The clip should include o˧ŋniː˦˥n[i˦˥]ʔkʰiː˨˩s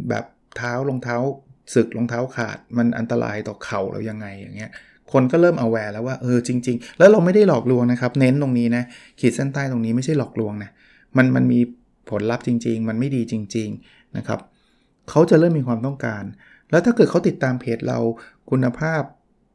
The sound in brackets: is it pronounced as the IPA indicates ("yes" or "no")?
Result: no